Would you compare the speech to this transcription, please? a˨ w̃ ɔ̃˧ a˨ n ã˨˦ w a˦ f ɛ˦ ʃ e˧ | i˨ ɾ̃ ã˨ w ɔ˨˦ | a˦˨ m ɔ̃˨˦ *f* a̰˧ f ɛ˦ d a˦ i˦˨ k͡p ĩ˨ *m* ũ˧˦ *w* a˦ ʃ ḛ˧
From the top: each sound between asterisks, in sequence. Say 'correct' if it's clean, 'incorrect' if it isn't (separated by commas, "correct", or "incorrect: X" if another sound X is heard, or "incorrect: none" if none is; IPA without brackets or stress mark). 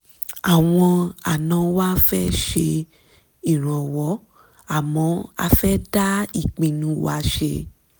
incorrect: none, incorrect: n, correct